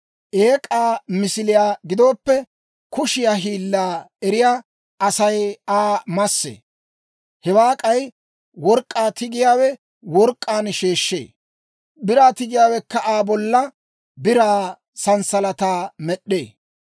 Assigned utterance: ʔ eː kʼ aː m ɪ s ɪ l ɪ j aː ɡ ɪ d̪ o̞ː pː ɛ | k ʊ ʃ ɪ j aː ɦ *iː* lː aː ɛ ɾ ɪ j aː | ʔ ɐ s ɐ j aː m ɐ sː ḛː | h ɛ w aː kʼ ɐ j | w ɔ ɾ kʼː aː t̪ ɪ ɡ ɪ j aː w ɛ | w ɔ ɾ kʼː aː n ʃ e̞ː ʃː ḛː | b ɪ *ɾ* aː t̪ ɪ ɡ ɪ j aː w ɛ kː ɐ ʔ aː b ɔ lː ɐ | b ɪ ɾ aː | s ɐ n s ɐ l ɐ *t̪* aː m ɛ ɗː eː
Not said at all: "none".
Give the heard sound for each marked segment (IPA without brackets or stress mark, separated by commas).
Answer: iː, ɾ, t̪